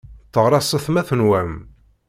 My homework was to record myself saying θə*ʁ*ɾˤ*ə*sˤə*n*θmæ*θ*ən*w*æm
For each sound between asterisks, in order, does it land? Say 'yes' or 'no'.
yes, no, no, yes, yes

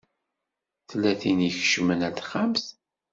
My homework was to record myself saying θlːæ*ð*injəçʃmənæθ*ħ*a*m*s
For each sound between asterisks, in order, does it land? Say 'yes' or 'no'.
no, no, yes

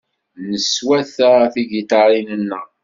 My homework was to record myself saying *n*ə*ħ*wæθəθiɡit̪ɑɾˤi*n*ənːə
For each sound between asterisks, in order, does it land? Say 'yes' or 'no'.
yes, no, yes

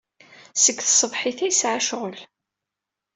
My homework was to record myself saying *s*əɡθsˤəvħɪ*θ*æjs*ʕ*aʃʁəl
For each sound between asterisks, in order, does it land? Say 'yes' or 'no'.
yes, yes, yes

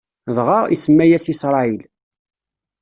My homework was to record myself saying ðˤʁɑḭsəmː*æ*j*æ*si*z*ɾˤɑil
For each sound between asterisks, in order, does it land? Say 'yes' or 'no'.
yes, yes, no

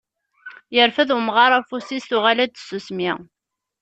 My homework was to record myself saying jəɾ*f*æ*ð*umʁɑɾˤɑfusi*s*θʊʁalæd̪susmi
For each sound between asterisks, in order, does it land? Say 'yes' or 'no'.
yes, yes, yes

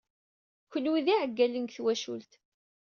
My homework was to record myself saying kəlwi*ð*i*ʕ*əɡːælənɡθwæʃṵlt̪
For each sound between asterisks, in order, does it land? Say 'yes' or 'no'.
yes, yes

